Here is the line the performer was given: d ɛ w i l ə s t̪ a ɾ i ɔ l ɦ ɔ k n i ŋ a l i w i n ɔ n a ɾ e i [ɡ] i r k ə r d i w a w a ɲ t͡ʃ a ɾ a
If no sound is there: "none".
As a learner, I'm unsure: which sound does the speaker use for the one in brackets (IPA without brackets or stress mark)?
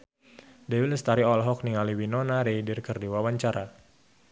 d